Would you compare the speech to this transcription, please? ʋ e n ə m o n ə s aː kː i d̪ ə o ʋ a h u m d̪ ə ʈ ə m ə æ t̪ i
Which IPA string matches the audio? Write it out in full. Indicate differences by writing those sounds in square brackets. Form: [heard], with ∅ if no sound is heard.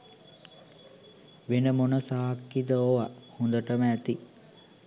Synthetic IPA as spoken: ʋ e n ə m o n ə s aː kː i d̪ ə o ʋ a h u [n] d̪ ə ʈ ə m ə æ t̪ i